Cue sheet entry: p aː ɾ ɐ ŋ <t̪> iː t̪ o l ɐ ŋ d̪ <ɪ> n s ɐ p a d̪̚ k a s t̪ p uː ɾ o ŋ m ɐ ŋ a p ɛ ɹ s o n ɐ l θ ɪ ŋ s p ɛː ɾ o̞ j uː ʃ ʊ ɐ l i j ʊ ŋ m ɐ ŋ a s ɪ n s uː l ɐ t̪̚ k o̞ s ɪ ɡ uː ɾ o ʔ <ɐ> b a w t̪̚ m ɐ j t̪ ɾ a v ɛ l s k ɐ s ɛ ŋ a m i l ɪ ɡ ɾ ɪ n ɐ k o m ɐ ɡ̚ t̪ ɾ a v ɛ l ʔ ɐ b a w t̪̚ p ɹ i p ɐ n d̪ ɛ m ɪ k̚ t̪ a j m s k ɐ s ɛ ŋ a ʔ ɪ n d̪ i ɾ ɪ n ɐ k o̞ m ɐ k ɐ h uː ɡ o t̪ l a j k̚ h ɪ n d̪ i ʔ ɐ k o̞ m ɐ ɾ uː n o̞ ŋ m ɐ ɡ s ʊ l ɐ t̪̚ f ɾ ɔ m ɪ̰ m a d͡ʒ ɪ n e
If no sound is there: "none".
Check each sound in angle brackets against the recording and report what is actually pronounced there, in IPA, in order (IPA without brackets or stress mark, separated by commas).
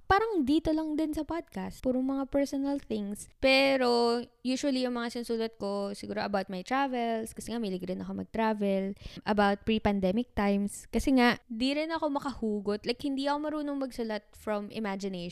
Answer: d̪, ɪ, ɐ